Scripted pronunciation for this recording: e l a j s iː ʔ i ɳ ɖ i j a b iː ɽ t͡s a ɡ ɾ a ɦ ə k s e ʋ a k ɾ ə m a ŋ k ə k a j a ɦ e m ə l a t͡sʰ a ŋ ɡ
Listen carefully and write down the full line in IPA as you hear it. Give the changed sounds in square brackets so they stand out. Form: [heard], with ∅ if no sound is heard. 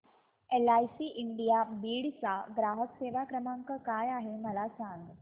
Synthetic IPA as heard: e l a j s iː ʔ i ɳ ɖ i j a b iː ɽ t͡s a ɡ ɾ a ɦ ə k s e ʋ a k ɾ ə m a ŋ k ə k a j a ɦ e m ə l a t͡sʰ a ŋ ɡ

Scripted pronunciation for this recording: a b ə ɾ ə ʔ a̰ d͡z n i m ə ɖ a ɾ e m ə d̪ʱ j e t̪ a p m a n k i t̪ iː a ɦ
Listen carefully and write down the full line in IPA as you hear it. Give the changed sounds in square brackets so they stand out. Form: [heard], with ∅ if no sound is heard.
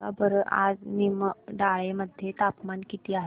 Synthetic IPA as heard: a b ə ɾ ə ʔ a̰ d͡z n i m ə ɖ a [ɭ] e m ə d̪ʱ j e t̪ a p m a n k i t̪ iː a ɦ

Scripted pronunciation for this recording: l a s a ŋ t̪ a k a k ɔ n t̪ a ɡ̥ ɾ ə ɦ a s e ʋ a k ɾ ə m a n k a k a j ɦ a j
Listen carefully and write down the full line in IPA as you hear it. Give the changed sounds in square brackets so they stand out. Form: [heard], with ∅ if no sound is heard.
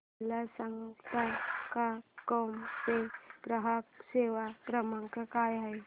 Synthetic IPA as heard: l a s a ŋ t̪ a k a k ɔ [m] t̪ [e] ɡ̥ ɾ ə ɦ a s e ʋ a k ɾ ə m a [ŋ] k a k a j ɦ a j

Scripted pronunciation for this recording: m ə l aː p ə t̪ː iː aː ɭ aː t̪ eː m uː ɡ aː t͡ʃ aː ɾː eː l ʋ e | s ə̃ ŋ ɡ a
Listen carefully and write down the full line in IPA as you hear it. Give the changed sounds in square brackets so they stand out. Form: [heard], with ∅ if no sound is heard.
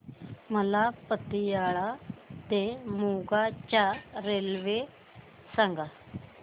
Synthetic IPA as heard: m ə l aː p ə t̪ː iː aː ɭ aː t̪ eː m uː ɡ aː t͡ʃ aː [ɾ] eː l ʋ e | s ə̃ ŋ ɡ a

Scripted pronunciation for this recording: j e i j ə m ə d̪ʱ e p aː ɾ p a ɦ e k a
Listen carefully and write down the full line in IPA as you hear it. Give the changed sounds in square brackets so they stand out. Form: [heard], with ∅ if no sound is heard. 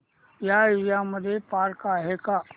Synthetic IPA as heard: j [a] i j [a] m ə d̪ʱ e p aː ɾ [k] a ɦ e k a

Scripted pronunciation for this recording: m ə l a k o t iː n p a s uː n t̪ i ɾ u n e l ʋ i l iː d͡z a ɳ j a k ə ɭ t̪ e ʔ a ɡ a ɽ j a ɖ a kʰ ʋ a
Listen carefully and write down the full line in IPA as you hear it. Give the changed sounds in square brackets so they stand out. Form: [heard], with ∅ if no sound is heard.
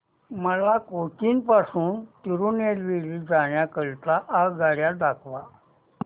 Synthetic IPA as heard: m ə l a k o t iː n p a s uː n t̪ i ɾ u n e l ʋ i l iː d͡z a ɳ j a k ə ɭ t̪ [a] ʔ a ɡ a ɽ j a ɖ a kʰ ʋ a

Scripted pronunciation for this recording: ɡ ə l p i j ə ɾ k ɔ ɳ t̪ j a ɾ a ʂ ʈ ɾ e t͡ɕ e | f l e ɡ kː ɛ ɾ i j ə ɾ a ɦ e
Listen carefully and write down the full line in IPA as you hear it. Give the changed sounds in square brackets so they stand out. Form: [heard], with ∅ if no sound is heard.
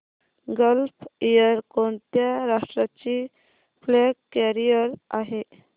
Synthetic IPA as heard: ɡ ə l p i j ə ɾ k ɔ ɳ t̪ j a ɾ a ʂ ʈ ɾ [a] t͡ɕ [i] | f l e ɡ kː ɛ ɾ i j ə ɾ a ɦ e

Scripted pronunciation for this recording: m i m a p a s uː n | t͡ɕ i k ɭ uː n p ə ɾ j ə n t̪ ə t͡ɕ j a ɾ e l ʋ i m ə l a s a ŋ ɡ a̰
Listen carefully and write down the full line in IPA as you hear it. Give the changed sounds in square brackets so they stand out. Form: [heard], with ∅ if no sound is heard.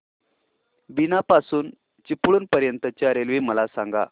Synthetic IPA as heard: [b] i [n] a p a s uː n | t͡ɕ i [p] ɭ uː n p ə ɾ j ə n t̪ ə t͡ɕ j a ɾ e l ʋ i m ə l a s a ŋ ɡ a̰

